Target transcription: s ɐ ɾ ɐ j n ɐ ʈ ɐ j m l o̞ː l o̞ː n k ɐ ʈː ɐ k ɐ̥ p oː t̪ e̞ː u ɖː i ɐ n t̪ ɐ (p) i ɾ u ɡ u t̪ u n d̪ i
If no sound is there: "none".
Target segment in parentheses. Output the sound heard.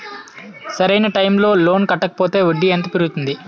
p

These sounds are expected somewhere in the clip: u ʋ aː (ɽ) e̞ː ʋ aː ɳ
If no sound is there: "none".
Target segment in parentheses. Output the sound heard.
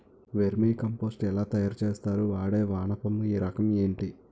ɽ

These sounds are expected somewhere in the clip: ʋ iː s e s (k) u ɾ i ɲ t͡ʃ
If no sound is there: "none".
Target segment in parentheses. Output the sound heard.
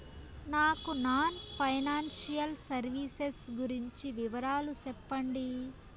ɡ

